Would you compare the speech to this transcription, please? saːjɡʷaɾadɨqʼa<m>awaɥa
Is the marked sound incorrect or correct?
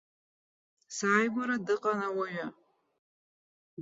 incorrect